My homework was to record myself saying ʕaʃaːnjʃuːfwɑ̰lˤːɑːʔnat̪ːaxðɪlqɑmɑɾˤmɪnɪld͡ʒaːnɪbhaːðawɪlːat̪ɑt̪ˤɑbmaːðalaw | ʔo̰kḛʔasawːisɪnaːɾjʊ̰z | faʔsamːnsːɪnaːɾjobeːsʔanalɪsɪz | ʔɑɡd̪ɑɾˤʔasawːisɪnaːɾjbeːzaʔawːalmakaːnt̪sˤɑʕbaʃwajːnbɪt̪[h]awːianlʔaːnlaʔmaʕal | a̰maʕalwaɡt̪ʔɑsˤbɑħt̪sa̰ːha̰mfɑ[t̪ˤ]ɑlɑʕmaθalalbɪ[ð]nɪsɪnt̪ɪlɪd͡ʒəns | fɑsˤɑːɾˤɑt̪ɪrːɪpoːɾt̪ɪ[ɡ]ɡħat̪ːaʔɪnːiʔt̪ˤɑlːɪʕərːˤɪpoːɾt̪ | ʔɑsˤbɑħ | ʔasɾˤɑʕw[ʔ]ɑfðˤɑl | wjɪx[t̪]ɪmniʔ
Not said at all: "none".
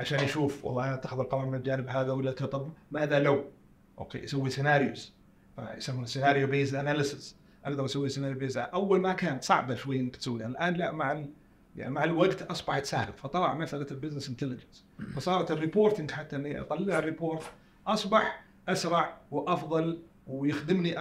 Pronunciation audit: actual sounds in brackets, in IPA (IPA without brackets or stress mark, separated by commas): s, t̪ˤ, z, ŋ, ʔ, d̪